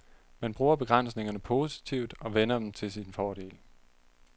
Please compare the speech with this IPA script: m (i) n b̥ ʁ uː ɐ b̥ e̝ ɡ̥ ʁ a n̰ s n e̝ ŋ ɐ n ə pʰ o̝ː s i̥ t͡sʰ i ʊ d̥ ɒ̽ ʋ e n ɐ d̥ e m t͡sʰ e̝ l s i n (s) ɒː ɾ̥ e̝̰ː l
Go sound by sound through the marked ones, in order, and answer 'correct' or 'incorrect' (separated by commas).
incorrect, incorrect